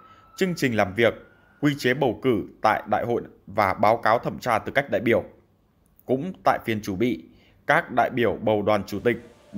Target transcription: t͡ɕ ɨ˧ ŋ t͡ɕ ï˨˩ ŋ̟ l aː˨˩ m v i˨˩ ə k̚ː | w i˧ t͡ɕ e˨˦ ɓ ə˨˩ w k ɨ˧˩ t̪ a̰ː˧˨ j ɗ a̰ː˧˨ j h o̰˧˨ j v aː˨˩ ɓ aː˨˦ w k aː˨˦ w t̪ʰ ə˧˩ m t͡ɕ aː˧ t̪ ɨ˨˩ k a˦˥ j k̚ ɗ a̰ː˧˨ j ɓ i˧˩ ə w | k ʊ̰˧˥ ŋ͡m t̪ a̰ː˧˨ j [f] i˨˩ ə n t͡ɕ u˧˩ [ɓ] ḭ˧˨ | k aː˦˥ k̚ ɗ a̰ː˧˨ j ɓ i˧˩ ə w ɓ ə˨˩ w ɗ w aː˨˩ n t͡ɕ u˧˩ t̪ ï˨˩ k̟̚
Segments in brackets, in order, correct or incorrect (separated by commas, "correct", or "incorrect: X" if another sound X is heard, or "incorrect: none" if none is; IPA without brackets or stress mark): correct, correct